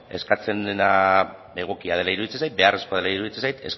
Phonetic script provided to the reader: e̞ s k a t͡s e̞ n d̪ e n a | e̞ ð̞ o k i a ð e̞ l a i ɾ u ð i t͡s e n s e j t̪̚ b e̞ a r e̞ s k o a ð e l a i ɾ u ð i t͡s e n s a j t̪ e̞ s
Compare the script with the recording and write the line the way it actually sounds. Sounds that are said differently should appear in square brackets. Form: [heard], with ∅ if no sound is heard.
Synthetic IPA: e̞ s k a t͡s e̞ n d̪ e n a | e̞ [ɣ̞] o k i a ð e̞ l a i ɾ u ð i t͡s e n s [a] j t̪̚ b e̞ a r e̞ s k o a ð e l a i ɾ u ð i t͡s e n s a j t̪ e̞ s